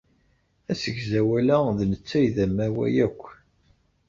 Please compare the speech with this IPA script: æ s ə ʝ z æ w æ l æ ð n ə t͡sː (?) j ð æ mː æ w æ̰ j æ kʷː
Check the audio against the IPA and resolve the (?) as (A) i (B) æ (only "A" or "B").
B